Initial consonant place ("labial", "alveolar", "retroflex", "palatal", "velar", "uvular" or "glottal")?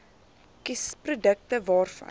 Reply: velar